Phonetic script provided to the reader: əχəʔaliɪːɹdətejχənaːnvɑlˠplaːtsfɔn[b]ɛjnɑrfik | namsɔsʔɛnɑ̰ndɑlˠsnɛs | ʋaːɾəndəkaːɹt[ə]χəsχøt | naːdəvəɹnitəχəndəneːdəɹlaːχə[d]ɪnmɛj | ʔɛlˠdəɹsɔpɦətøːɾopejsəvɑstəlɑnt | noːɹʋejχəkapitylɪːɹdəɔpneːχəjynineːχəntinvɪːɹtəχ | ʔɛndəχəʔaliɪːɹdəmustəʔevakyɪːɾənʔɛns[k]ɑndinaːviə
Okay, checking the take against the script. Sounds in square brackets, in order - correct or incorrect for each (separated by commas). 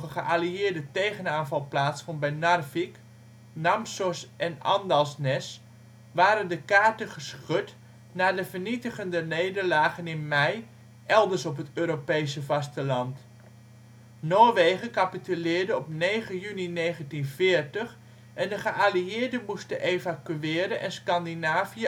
correct, correct, incorrect, correct